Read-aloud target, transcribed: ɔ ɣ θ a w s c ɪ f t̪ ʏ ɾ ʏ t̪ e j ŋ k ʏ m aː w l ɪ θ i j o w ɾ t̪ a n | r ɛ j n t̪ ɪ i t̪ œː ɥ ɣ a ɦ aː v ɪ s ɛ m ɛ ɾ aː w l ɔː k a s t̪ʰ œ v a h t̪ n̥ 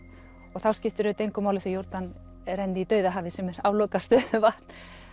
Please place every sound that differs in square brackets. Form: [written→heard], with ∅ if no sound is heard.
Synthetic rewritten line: ɔ ɣ θ a w s c ɪ f t̪ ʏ ɾ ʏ t̪ e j ŋ k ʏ m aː w l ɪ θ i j o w ɾ t̪ a n | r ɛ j n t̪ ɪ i t̪ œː ɥ [ɣ→ð] a ɦ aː v ɪ s ɛ m ɛ ɾ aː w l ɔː k a s [t̪ʰ→t̪] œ v a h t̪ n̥